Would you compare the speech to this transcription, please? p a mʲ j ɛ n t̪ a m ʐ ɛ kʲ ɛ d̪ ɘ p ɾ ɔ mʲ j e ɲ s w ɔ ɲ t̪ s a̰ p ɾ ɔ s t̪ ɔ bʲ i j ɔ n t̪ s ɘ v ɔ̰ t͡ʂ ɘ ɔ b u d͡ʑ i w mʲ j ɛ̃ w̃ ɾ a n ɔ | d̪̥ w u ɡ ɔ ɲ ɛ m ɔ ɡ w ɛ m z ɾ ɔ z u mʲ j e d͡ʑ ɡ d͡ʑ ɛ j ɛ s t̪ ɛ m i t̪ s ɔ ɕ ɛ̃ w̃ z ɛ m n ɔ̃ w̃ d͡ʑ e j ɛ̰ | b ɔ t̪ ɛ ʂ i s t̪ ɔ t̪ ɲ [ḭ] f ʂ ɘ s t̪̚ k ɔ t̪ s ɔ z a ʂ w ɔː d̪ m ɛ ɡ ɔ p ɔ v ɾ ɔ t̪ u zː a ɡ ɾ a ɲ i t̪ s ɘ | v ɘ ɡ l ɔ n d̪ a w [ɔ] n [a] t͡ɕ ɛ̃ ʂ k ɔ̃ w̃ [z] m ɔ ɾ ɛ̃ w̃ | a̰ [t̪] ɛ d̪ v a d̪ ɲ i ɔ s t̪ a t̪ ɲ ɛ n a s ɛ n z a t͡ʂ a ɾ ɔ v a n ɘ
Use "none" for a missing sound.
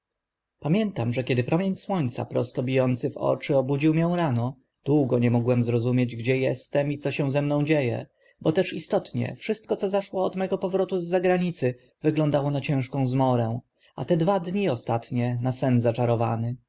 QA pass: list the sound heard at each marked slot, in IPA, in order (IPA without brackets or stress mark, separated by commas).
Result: ɛ̰, ɔ, a, z, t̪